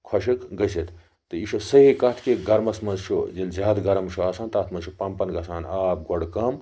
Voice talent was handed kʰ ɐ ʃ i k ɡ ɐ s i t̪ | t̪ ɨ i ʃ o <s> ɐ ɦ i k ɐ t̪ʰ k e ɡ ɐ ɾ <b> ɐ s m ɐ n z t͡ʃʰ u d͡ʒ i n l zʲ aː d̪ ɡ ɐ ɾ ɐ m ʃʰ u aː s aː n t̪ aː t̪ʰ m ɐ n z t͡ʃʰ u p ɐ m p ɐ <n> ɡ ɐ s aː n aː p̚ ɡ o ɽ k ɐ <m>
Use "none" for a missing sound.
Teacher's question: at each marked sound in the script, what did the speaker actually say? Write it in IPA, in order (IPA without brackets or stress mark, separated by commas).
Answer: s, m, n, m